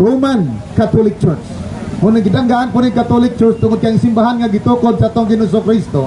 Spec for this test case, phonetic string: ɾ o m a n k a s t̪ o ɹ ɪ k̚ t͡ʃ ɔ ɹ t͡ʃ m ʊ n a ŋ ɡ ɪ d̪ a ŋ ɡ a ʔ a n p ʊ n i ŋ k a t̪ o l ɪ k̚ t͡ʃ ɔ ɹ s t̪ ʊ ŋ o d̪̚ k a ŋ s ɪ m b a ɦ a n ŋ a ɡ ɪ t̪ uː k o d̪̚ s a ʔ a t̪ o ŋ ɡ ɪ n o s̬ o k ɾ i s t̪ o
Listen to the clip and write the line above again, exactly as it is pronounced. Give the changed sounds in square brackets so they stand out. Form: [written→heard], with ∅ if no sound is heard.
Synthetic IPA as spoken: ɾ o m a n k a [s→∅] t̪ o [ɹ→l] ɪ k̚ t͡ʃ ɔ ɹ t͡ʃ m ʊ n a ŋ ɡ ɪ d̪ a ŋ ɡ a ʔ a n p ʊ n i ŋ k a t̪ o l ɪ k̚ t͡ʃ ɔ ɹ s t̪ ʊ ŋ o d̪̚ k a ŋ s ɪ m b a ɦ a n ŋ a ɡ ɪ t̪ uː k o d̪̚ s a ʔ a t̪ o ŋ ɡ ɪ n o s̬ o k ɾ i s t̪ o

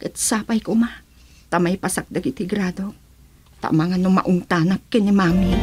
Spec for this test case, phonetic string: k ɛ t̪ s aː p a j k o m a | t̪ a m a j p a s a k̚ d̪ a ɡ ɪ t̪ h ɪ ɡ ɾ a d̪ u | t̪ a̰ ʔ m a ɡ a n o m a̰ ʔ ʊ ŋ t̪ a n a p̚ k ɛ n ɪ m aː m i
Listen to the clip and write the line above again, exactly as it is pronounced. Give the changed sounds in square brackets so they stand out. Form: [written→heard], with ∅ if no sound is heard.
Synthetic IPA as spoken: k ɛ t̪ s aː p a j k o m a | t̪ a m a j p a s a k̚ d̪ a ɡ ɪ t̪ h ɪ ɡ ɾ a d̪ [u→o] | t̪ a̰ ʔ m a [ɡ→ŋ] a n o m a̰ ʔ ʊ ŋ t̪ a n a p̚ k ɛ n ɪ m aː m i

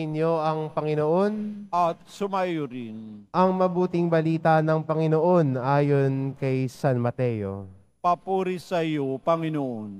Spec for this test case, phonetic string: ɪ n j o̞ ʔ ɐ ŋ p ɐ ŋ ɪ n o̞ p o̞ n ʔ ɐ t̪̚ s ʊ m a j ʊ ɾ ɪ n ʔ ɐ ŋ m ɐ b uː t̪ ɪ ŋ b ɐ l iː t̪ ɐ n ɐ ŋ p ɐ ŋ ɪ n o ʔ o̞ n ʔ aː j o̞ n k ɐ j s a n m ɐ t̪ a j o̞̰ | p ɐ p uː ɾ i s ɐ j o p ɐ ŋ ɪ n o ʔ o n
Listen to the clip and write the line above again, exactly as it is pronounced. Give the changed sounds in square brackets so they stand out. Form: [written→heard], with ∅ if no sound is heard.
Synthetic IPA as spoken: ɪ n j o̞ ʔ ɐ ŋ p ɐ ŋ ɪ n o̞ [p→ʔ] o̞ n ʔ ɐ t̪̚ s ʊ m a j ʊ ɾ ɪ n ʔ ɐ ŋ m ɐ b uː t̪ ɪ ŋ b ɐ l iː t̪ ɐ n ɐ ŋ p ɐ ŋ ɪ n o ʔ o̞ n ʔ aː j o̞ n k ɐ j s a n m ɐ t̪ [a→ɛ] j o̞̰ | p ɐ p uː ɾ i s ɐ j o p ɐ ŋ ɪ n o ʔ o n

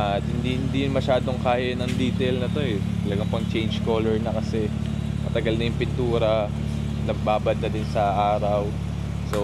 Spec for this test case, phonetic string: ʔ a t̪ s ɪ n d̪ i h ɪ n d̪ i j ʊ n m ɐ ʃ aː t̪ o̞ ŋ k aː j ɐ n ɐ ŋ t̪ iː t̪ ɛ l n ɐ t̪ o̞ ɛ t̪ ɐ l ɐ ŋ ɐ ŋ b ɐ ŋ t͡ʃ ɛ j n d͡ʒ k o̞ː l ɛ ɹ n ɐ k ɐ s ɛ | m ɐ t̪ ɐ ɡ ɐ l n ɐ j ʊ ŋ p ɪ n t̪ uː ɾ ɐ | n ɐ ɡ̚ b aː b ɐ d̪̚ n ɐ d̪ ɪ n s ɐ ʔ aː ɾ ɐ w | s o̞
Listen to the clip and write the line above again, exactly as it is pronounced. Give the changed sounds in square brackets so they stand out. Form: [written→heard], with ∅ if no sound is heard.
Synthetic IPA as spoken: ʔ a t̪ [s→h] ɪ n d̪ i h ɪ n d̪ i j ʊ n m ɐ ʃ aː [t̪→d̪] o̞ ŋ k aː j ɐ n ɐ ŋ [t̪→d̪] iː t̪ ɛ l n ɐ t̪ o̞ ɛ t̪ ɐ l ɐ [ŋ→ɡ] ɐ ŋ [b→p] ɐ ŋ t͡ʃ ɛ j n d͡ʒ k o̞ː l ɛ ɹ n ɐ k ɐ s ɛ | m ɐ t̪ ɐ ɡ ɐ l n ɐ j ʊ ŋ p ɪ n t̪ uː ɾ ɐ | n ɐ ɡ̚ b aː b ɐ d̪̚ n ɐ d̪ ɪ n s ɐ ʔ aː ɾ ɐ w | s o̞

